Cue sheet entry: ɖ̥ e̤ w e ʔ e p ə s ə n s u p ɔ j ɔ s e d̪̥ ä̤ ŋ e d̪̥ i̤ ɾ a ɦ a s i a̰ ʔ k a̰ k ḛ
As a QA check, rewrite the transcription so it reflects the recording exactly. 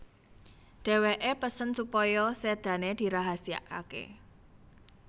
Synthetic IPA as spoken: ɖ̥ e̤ w e ʔ e p ə s ə n s u p ɔ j ɔ s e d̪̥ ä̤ n e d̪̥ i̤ ɾ a ɦ a s i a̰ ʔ k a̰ k ḛ